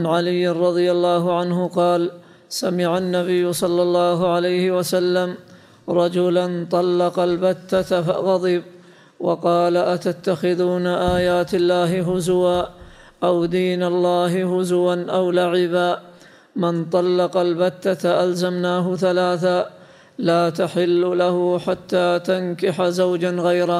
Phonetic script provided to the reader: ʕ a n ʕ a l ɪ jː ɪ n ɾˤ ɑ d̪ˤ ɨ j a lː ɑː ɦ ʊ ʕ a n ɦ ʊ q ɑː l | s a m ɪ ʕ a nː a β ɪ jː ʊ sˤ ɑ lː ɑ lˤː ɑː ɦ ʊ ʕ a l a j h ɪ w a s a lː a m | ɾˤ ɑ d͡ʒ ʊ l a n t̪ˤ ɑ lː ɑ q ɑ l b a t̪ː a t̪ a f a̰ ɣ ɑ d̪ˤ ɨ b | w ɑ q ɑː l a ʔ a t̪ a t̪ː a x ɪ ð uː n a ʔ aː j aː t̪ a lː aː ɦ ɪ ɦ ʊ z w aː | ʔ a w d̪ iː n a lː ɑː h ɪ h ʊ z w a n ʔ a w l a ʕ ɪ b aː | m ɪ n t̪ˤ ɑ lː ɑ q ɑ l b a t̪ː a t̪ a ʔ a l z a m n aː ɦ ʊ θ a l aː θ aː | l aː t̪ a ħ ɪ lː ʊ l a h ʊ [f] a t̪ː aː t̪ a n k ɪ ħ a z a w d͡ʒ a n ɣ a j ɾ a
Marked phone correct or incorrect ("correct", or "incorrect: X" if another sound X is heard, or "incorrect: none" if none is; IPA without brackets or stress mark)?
incorrect: ħ